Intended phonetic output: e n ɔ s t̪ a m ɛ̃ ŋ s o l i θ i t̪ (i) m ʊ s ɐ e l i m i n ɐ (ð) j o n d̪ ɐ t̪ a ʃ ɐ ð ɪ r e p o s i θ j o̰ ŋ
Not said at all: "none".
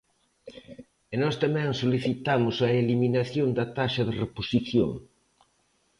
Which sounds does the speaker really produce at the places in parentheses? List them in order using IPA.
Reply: a, θ

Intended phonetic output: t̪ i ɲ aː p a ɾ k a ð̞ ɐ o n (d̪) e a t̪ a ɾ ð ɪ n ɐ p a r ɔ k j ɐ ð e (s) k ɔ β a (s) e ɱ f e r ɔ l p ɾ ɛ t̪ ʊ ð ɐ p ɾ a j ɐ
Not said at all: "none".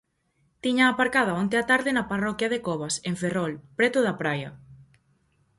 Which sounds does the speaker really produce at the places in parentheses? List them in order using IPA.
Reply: t̪, none, s

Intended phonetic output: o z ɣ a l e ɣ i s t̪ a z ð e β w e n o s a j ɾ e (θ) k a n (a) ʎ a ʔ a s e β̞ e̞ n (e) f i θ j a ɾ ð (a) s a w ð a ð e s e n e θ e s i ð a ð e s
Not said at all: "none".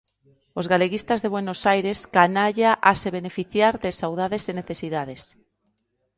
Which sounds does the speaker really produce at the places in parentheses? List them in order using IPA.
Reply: s, a, e, e

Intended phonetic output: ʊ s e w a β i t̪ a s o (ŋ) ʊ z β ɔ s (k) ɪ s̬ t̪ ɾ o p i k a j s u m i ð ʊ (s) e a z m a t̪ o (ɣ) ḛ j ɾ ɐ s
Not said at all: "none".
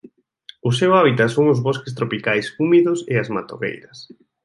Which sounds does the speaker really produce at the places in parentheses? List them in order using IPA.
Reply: ŋ, k, s, ɣ

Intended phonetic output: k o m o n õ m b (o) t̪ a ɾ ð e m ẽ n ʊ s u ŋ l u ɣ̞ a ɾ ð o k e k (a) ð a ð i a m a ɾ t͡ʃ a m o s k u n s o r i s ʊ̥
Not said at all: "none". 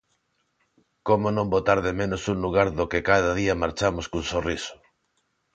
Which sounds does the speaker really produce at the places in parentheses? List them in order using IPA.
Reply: o, a

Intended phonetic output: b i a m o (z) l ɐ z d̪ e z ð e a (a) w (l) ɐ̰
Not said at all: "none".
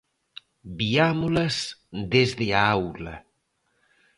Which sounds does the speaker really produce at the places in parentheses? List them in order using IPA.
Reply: none, a, l

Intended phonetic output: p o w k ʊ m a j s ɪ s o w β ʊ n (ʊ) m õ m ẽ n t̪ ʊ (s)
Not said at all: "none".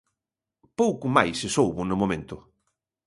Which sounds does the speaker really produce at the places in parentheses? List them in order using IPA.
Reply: ʊ, none

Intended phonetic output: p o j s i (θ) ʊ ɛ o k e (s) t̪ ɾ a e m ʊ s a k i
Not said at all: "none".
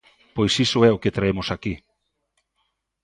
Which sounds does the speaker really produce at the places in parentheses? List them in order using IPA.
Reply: s, none

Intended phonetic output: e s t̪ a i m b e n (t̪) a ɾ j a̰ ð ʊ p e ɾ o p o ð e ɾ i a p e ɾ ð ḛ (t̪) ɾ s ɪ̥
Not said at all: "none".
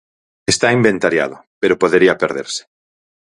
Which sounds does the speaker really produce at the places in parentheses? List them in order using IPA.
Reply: t̪, none

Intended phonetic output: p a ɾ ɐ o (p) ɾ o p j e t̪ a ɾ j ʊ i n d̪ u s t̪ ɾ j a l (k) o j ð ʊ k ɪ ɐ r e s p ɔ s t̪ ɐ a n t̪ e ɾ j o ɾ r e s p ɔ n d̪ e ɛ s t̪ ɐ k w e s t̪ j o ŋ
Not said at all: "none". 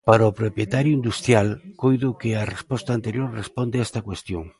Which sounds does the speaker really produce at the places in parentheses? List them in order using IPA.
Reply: p, k

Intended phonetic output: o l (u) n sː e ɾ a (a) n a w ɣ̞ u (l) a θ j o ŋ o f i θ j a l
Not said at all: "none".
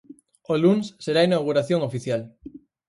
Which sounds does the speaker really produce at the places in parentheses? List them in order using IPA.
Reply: u, i, ɾ

